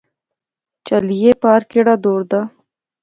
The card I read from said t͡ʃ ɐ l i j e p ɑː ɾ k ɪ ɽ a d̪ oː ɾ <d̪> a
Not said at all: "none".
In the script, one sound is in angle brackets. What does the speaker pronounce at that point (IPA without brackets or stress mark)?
d̪